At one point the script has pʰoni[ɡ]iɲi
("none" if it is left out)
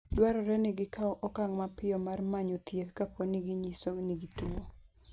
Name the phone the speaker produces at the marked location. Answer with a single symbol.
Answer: ɡ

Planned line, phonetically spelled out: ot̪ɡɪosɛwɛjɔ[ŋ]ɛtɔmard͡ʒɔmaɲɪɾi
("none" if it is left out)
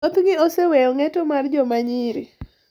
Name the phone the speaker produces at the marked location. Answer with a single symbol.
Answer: ŋ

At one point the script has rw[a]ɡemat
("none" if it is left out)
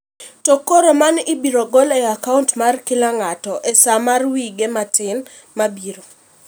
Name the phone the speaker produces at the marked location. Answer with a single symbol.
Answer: i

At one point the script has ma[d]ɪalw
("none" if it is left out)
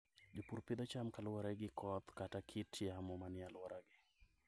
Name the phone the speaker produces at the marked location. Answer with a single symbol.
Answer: n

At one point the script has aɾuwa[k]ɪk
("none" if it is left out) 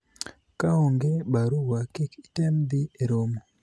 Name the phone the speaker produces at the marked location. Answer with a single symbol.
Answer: k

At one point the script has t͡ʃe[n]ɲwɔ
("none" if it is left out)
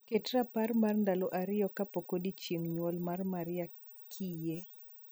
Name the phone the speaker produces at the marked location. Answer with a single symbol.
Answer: ŋ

